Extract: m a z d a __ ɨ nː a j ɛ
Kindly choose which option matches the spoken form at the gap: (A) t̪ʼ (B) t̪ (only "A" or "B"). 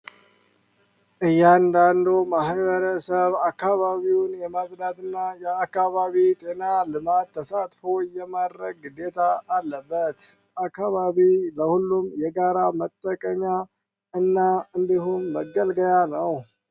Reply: B